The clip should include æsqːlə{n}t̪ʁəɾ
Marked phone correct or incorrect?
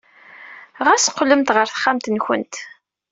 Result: incorrect